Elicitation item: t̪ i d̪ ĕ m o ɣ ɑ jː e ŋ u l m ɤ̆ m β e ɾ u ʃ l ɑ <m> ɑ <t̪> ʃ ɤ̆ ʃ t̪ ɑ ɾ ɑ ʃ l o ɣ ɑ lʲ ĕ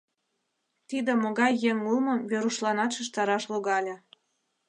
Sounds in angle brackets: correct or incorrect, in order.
incorrect, correct

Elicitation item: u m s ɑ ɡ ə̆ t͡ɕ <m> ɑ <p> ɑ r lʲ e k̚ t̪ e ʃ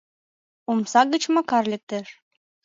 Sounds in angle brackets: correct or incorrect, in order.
correct, incorrect

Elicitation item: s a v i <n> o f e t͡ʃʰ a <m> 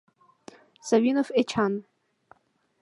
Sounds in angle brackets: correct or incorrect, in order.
correct, incorrect

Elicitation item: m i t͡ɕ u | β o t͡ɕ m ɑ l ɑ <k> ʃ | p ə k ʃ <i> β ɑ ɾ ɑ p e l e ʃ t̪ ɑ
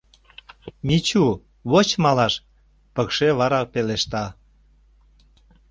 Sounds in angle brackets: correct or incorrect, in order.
incorrect, incorrect

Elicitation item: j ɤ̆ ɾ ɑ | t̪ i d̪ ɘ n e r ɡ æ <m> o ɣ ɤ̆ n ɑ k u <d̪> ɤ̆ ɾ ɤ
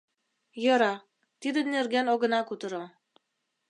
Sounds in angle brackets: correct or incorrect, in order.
incorrect, incorrect

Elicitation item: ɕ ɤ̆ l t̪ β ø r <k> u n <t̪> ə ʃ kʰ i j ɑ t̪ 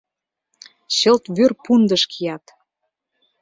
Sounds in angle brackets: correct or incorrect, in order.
incorrect, incorrect

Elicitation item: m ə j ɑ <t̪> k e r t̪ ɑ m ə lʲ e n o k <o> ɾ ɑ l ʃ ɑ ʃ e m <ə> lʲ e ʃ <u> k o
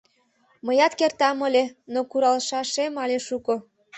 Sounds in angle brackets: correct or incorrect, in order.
correct, incorrect, incorrect, correct

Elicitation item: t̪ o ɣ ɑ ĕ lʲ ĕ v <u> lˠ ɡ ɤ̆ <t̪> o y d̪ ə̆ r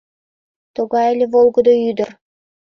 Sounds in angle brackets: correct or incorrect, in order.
incorrect, incorrect

